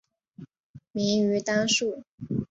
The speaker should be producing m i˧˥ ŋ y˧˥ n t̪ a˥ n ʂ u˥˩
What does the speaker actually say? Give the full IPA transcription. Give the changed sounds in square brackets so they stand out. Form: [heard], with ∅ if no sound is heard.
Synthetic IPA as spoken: m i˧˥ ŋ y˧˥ [∅] t̪ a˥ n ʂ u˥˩